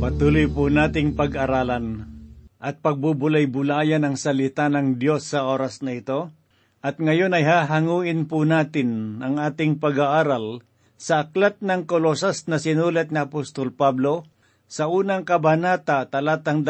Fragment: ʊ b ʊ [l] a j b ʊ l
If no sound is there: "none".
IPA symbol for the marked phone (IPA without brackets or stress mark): l